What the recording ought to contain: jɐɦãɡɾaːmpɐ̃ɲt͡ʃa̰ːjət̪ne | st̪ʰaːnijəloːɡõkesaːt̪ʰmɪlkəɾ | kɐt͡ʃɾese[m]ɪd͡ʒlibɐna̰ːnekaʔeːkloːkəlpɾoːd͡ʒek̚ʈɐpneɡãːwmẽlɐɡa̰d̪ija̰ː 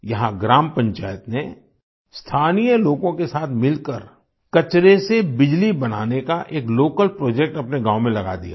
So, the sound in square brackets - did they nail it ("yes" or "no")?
no